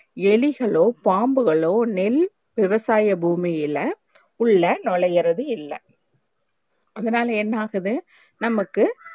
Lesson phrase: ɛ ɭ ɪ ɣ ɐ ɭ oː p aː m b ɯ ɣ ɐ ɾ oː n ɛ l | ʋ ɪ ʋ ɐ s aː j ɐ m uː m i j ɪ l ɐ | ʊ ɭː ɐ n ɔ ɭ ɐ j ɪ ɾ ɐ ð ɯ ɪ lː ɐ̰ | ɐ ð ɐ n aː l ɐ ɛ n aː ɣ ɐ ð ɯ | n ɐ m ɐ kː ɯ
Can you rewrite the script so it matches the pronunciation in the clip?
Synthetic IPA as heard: ɛ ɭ ɪ ɣ ɐ ɭ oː p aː m b ɯ ɣ ɐ ɭ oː n ɛ l | ʋ ɪ ʋ ɐ s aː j ɐ b uː m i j ɪ l ɐ | ʊ ɭː ɐ n ɔ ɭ ɐ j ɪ ɾ ɐ ð ɯ ɪ lː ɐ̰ | ɐ ð ɐ n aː l ɐ ɛ nː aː ɣ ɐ ð ɯ | n ɐ m ɐ kː ɯ

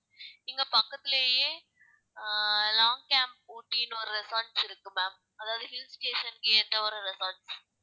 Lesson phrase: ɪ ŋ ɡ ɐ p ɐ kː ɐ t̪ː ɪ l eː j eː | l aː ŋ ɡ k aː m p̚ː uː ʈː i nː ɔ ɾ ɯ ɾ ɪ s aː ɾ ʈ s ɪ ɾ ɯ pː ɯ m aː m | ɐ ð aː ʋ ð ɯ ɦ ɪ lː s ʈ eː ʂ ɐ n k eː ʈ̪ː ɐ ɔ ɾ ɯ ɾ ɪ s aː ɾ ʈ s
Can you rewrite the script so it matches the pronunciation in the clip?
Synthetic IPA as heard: ɪ ŋ ɡ ɐ p ɐ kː ɐ t̪ː ɪ l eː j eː | l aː ŋ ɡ k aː m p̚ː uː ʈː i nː ɔ ɾ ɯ ɾ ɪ s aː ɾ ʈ s ɪ ɾ ɯ kː ɯ m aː m | ɐ ð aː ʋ ð ɯ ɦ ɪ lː s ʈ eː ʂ ɐ n k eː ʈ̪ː ɐ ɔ ɾ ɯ ɾ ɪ s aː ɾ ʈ s

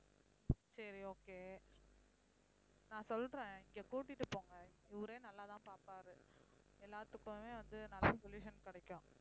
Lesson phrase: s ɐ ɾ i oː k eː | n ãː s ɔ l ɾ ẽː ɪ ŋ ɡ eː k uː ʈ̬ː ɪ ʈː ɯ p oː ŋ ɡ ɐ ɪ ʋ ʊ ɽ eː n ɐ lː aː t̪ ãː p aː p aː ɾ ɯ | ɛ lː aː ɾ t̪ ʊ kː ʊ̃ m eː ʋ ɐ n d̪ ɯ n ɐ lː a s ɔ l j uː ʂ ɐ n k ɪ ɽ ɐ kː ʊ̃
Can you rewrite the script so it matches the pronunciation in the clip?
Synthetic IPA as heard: s ɐ ɾ i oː k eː | n ãː s ɔ l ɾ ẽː ɪ ŋ ɡ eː k uː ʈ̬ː ɪ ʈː ɯ p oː ŋ ɡ ɐ ɪ ʋ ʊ ɾ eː n ɐ lː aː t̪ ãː p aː p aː ɾ ɯ | ɛ lː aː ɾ t̪ ɯ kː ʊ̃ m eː ʋ ɐ n d̪ ɯ n ɐ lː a s ɔ l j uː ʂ ɐ n k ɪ ɽ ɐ kː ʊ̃

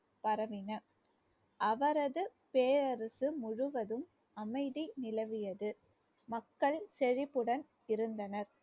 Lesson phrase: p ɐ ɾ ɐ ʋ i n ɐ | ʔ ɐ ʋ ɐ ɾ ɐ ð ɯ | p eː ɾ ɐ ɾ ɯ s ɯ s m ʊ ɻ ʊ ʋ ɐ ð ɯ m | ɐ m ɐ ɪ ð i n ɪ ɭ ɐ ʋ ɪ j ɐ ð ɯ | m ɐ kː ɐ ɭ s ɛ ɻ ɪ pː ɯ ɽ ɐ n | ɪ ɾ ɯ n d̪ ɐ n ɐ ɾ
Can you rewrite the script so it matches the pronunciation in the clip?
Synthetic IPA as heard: p ɐ ɾ ɐ ʋ ɪ n ɐ | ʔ ɐ ʋ ɐ ɾ ɐ ð ɯ | p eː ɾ ɐ ɾ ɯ s ɯ m ʊ ɻ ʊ ʋ ɐ ð ɯ m | ɐ m ɐ ɪ ð i n ɪ l ɐ ʋ ɪ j ɐ ð ɯ | m ɐ kː ɐ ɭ s ɛ ɻ ɪ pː ɯ ɽ ɐ n | ɪ ɾ ɯ n d̪ ɐ n ɐ ɾ

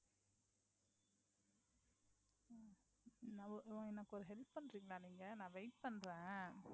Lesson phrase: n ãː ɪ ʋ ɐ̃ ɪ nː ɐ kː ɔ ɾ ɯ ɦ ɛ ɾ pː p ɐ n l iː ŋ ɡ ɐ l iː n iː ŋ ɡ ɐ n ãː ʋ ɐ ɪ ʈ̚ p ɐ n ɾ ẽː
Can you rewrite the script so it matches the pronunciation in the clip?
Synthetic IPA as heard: n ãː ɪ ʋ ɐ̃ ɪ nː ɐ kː ɔ ɾ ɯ ɦ ɛ l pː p ɐ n ɾ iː ŋ ɡ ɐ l aː n iː ŋ ɡ ɐ n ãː ʋ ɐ ɪ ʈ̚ p ɐ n ɾ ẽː

